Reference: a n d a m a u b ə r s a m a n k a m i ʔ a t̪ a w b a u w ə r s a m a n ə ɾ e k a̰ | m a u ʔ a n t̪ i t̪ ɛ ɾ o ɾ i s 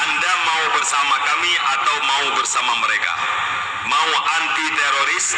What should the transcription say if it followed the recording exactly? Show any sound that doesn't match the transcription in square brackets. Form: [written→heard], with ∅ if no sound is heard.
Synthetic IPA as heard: a n d a m a u b ə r s a m a [n→∅] k a m i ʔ a t̪ a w [b→m] a u [w→b] ə r s a m a [n→m] ə ɾ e k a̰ | m a u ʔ a n t̪ i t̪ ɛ ɾ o ɾ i s